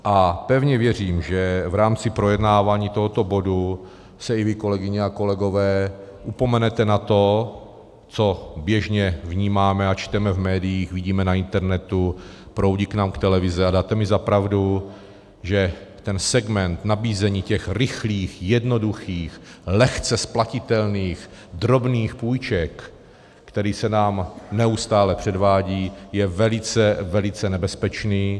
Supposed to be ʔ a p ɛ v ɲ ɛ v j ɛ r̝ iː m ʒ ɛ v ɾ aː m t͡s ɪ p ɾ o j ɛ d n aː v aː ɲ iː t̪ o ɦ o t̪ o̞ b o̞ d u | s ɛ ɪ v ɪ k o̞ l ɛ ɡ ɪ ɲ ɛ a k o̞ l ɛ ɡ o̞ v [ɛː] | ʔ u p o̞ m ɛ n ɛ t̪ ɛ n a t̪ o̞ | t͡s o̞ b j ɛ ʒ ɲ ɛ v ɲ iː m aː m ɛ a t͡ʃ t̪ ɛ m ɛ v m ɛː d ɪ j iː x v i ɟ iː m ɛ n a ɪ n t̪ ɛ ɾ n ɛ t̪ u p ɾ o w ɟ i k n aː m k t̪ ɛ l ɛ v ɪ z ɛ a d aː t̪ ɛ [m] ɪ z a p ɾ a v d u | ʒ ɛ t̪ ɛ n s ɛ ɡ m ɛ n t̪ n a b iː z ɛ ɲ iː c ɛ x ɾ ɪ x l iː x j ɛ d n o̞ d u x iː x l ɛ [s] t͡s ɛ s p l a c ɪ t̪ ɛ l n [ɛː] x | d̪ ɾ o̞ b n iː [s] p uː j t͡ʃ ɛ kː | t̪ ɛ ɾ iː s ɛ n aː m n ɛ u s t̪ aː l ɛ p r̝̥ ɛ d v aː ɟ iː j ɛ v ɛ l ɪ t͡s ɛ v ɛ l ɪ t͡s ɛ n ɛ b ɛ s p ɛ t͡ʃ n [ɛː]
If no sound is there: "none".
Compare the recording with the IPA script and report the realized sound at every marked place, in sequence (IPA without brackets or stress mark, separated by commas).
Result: ɛː, m, x, iː, x, iː